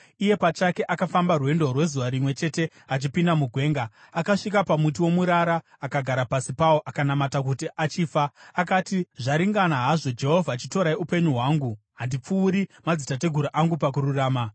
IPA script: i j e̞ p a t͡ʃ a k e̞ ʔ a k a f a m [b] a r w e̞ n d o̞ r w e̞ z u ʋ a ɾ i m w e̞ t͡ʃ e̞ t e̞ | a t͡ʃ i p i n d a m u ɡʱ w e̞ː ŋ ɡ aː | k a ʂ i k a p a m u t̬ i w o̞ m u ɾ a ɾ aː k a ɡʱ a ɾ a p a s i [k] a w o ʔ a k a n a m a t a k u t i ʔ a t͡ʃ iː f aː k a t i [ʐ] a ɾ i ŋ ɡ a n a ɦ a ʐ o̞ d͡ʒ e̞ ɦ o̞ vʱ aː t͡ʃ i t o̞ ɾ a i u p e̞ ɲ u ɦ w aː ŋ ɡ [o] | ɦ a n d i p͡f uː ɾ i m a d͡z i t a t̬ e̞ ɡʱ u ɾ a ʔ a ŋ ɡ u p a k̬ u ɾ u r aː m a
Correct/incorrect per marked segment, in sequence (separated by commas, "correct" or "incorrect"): correct, incorrect, correct, incorrect